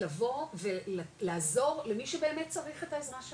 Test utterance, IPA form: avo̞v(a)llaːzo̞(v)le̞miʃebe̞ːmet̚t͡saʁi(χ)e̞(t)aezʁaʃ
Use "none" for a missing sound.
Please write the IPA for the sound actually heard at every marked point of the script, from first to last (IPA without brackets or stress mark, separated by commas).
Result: e, ʁ, χ, t